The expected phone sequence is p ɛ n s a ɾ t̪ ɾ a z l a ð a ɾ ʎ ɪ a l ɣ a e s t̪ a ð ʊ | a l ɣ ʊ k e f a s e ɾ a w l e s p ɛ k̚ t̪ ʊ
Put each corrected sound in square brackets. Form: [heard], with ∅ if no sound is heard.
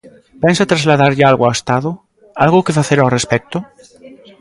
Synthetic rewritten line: p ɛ n s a [∅] t̪ ɾ a z l a ð a ɾ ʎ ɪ a l ɣ a e s t̪ a ð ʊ | a l ɣ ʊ k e f a [θ] e ɾ a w [r] e s p ɛ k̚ t̪ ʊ